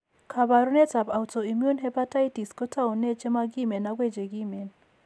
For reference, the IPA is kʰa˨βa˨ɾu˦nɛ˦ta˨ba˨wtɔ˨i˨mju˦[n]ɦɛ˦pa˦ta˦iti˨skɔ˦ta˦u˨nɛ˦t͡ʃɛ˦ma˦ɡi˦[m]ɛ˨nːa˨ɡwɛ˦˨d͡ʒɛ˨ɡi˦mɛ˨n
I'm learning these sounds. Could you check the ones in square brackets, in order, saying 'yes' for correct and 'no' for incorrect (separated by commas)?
yes, yes